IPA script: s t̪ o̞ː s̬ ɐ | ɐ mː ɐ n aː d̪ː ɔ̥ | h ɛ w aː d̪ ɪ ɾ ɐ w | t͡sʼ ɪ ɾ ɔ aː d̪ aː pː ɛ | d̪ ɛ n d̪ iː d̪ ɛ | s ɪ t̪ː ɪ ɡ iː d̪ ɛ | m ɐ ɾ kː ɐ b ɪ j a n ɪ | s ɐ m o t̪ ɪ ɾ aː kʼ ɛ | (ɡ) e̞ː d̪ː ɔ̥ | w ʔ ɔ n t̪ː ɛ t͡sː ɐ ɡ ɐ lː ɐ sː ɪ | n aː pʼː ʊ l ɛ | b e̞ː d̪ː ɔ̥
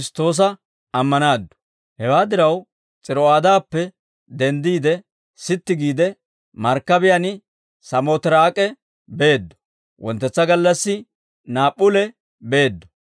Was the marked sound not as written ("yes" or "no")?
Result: yes